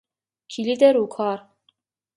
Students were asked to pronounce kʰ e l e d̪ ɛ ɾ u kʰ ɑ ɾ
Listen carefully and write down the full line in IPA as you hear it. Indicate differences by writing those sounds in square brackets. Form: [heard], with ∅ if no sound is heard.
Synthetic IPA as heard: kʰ [i] l [i] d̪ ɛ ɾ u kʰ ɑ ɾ